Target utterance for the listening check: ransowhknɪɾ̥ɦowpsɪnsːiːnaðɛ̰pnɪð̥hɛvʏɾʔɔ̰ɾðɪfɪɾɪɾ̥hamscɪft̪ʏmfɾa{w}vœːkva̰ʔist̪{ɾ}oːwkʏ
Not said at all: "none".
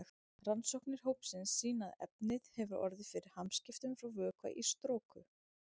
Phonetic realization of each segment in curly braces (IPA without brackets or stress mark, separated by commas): w, ɾ